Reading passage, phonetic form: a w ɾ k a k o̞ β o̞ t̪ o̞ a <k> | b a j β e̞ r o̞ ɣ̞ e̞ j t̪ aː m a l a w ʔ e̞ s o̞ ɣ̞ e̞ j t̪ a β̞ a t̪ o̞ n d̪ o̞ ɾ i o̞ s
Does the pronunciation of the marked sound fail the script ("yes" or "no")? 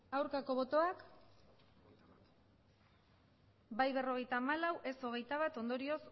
no